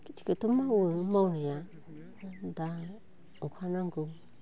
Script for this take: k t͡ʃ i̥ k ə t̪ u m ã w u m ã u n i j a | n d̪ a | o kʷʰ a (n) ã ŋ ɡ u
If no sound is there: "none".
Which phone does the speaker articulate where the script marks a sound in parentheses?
n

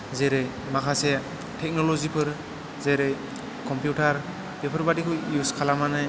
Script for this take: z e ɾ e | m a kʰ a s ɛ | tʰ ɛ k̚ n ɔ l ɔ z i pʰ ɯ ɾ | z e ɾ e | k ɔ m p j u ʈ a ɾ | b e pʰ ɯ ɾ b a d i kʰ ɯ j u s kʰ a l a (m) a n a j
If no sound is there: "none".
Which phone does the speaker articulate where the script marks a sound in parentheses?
m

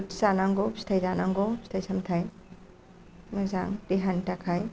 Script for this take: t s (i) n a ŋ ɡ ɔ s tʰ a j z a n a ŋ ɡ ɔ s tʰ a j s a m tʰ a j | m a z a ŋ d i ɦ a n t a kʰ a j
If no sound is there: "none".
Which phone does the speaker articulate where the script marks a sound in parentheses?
a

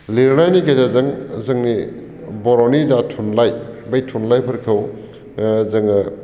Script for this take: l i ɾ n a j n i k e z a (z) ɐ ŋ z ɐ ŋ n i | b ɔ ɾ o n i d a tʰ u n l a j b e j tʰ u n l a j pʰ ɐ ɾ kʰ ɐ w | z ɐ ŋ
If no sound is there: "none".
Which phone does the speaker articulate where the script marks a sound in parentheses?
z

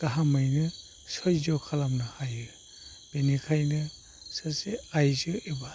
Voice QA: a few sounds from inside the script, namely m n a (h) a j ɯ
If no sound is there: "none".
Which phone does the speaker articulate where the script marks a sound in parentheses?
h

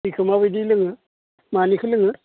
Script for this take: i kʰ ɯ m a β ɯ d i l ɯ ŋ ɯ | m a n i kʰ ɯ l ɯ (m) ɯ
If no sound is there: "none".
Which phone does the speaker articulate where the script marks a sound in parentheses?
ŋ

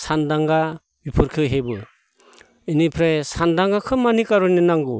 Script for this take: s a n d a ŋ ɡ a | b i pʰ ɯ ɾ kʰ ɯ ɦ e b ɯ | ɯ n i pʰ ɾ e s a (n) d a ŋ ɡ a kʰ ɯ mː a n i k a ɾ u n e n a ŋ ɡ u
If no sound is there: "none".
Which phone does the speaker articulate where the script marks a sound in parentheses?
n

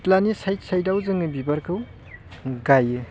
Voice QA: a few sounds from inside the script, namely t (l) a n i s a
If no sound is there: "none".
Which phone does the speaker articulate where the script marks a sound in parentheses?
l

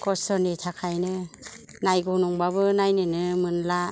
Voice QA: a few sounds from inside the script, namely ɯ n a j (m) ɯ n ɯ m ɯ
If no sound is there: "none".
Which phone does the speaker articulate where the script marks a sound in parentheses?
n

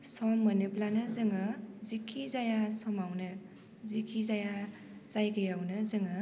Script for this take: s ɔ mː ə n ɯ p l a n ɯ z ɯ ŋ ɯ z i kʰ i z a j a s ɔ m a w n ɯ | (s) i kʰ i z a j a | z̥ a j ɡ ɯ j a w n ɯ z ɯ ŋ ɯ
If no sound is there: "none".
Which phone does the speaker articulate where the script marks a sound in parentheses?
z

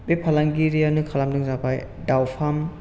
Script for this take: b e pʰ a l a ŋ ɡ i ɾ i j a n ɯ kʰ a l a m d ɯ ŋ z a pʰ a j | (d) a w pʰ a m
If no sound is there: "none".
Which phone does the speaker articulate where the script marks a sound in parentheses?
d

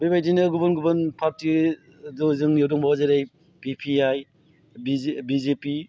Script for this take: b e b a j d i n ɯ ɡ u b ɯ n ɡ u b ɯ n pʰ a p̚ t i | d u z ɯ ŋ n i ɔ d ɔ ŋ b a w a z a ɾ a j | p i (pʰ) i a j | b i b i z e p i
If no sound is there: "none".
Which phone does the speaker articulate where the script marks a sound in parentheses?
pʰ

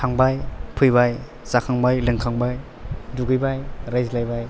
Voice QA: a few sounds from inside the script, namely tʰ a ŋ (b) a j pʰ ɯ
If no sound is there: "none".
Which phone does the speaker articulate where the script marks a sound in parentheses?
b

